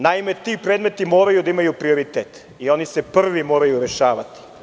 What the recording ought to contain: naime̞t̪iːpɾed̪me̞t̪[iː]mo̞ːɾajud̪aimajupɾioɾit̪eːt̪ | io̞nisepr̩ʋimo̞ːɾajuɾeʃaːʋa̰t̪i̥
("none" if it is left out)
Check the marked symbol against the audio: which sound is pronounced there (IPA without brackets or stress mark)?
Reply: i